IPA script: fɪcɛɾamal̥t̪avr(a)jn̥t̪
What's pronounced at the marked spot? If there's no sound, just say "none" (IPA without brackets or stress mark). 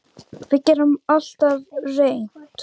e